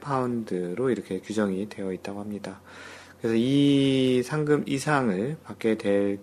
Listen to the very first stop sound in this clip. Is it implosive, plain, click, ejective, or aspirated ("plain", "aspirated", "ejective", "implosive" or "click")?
aspirated